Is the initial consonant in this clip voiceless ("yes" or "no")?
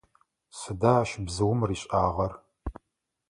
yes